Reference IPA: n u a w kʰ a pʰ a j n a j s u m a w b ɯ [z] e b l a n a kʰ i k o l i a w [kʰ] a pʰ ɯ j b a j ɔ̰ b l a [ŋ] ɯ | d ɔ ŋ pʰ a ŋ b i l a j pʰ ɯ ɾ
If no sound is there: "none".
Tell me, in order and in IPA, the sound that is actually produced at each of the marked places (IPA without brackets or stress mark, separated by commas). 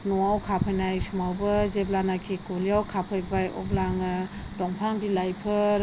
z, kʰ, ŋ